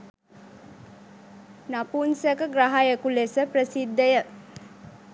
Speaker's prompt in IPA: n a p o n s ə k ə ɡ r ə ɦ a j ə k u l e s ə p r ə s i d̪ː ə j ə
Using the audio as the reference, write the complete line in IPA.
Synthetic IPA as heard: n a p u n s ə k ə ɡ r a ɦ a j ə k u l e s ə p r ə s i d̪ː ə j ə